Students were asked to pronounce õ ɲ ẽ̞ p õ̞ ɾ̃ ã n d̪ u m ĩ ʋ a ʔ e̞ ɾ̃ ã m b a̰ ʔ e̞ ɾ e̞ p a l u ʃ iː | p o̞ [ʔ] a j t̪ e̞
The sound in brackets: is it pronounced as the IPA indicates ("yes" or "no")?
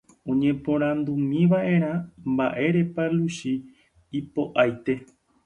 yes